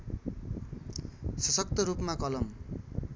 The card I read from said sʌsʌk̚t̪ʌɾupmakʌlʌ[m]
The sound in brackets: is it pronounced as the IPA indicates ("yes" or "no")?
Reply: yes